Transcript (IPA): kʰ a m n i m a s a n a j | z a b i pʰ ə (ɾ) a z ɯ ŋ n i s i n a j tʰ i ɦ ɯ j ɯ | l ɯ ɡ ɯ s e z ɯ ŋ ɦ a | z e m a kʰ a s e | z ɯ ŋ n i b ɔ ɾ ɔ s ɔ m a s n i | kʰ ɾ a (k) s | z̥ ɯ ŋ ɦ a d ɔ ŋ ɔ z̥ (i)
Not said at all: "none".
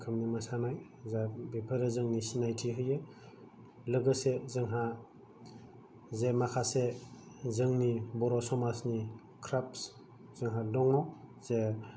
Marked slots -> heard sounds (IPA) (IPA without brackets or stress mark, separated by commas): ɾ, p, e